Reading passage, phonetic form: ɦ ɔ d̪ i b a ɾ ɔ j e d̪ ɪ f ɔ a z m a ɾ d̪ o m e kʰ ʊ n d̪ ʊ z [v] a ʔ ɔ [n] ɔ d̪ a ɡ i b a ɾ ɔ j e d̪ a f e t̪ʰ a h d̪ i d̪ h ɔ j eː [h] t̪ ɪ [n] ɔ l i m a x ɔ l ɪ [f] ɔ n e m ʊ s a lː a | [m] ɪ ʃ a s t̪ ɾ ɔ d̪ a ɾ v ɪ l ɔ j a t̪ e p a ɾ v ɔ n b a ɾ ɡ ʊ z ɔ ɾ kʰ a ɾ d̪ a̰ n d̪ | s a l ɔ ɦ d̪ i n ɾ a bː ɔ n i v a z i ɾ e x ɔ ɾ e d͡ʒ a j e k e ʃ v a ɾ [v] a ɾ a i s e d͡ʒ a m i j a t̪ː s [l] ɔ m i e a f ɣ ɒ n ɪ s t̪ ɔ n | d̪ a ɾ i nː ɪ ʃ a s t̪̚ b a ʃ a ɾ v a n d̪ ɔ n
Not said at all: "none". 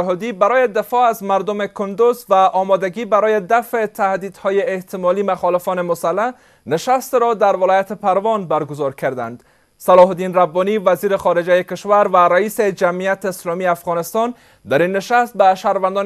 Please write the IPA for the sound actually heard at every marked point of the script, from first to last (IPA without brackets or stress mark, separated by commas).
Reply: v, m, h, m, f, n, v, l